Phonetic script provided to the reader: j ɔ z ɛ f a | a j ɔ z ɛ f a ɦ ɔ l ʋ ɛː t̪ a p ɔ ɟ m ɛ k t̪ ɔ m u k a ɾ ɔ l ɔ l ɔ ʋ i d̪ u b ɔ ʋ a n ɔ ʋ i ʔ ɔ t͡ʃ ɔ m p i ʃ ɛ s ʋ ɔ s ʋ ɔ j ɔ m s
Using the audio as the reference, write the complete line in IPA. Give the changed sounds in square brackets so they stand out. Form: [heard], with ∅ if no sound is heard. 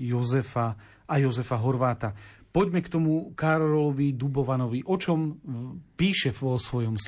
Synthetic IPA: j ɔ z ɛ f a | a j ɔ z ɛ f a ɦ ɔ [ɾ] ʋ [aː] t̪ a p ɔ ɟ m ɛ k t̪ ɔ m u k a ɾ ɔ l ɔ l ɔ ʋ i d̪ u b ɔ ʋ a n ɔ ʋ i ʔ ɔ t͡ʃ ɔ m p [iː] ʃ ɛ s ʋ ɔ s ʋ ɔ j ɔ m s